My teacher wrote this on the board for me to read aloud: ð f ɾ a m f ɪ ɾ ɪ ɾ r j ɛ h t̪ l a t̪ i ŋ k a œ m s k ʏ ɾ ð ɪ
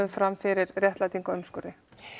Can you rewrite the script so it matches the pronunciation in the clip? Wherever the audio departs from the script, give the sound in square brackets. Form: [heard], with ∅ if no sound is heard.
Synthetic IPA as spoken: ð f ɾ a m f ɪ ɾ ɪ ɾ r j ɛ h t̪ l a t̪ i ŋ k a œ m s k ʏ ɾ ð ɪ